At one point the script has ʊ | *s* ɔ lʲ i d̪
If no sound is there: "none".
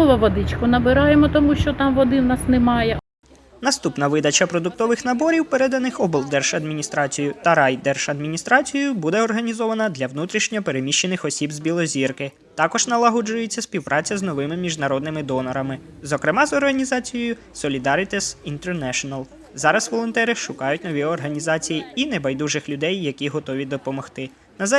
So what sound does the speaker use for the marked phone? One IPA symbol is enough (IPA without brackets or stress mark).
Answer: s